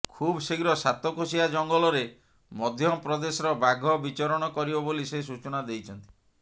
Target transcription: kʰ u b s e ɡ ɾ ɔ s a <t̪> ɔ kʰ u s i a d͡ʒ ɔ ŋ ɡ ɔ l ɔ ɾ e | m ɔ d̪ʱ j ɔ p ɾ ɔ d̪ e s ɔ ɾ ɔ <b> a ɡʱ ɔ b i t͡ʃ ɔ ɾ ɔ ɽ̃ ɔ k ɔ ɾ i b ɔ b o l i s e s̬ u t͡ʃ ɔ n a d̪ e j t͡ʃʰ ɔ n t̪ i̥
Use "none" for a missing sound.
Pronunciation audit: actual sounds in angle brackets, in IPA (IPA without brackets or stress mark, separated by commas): t̪, b